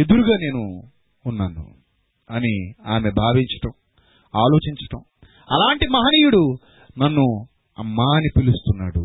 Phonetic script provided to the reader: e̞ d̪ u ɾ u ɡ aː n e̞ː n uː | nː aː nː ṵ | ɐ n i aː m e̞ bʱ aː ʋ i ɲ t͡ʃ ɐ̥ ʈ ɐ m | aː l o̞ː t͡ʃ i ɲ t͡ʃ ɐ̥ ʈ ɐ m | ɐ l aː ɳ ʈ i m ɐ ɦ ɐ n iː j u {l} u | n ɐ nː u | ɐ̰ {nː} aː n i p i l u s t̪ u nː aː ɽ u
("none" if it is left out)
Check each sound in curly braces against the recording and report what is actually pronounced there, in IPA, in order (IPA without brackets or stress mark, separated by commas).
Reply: ɽ, mː